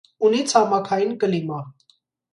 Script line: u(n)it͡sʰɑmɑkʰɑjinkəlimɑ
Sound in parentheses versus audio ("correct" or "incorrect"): correct